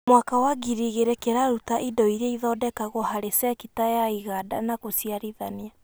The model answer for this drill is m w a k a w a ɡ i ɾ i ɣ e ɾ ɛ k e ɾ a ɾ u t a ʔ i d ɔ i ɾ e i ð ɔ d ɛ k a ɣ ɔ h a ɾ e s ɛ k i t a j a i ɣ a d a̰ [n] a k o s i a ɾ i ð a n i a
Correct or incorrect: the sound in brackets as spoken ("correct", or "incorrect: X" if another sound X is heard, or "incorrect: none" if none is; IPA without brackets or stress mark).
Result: correct